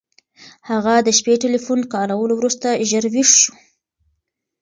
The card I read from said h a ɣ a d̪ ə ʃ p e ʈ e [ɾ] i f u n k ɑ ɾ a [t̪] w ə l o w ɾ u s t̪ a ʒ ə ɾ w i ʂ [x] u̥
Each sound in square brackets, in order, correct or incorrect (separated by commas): incorrect, incorrect, incorrect